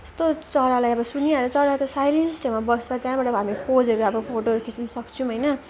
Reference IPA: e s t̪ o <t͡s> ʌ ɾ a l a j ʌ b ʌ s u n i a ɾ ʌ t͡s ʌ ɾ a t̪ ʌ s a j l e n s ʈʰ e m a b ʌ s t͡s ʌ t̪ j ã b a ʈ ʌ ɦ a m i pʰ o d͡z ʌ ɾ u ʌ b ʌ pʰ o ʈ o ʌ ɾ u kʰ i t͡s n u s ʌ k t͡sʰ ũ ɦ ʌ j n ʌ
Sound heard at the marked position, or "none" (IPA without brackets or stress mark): t͡s